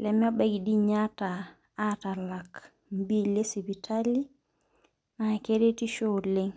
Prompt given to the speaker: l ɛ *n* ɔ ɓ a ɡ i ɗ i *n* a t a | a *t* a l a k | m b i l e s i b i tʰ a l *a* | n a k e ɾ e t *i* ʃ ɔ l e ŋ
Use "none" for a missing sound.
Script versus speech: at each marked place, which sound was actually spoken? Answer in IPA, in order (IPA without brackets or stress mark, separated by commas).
m, ɲ, t, i, i